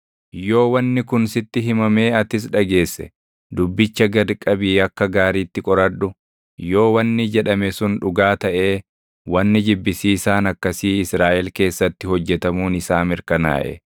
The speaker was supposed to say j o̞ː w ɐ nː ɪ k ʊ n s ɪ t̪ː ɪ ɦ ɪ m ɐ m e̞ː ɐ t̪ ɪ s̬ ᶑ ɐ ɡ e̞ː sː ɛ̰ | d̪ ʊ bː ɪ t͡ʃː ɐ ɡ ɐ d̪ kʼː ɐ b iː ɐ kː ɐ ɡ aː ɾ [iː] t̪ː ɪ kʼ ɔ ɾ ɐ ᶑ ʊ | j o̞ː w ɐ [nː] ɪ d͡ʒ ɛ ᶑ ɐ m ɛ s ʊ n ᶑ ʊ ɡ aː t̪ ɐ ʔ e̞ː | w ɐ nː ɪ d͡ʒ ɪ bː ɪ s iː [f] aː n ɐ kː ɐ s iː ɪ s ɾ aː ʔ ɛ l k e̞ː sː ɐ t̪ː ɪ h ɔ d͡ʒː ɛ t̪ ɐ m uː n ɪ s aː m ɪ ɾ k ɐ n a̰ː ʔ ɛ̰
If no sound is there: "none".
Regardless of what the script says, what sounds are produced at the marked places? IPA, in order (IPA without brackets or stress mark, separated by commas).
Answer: iː, nː, s